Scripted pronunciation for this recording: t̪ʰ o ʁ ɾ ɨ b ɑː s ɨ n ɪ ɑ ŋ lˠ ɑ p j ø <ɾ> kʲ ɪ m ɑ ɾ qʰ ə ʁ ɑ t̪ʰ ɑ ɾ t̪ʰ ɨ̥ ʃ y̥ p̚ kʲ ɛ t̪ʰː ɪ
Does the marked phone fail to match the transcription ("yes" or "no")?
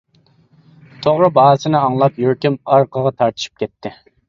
no